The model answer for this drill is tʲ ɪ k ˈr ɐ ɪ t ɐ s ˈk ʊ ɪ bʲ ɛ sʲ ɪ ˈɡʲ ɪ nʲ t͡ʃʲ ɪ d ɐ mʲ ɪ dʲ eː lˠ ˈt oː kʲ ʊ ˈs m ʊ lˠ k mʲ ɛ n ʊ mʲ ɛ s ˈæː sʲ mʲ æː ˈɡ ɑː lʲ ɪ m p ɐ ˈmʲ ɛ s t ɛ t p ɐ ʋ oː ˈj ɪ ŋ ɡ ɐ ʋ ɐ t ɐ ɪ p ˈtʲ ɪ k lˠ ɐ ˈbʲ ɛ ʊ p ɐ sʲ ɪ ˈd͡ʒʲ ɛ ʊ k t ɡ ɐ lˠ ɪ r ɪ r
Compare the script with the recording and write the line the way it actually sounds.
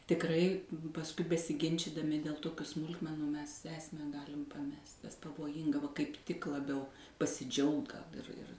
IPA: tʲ ɪ k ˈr ɐ ɪ p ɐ s ˈk ʊ ɪ bʲ ɛ sʲ ɪ ˈɡʲ ɪ nʲ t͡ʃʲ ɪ d ɐ mʲ ɪ dʲ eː lˠ ˈt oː kʲ ʊ ˈs m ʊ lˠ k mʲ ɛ n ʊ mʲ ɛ s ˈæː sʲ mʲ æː ˈɡ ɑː lʲ ɪ m p ɐ ˈmʲ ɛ s t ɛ s p ɐ ʋ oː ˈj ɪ ŋ ɡ ɐ ʋ ɐ k ɐ ɪ p ˈtʲ ɪ k lˠ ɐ ˈbʲ ɛ ʊ p ɐ sʲ ɪ ˈd͡ʒʲ ɛ ʊ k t ɡ ɐ lˠ ɪ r ɪ r